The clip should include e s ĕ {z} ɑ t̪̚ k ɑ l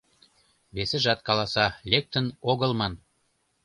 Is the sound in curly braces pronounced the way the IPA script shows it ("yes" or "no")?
no